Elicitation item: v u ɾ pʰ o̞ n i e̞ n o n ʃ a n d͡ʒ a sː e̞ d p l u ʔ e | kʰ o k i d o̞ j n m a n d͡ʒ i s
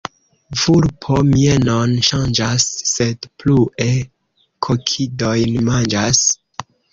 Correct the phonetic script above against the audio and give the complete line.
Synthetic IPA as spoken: v u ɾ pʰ o̞ m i e̞ n o n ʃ a n d͡ʒ a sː e̞ d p l u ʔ e | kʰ o kʰ i d o̞ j n m a n d͡ʒ a s